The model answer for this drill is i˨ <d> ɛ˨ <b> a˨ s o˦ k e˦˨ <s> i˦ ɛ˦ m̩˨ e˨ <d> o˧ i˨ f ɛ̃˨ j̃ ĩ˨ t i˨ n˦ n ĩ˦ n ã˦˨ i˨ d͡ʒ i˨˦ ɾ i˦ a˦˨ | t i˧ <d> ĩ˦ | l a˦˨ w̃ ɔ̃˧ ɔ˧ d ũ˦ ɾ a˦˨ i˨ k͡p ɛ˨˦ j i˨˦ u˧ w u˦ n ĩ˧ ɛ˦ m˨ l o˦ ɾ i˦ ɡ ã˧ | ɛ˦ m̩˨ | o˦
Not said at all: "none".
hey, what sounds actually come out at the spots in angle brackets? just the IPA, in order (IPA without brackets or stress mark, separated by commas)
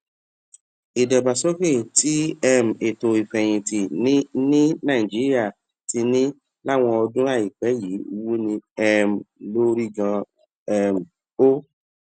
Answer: d, b, t, t, n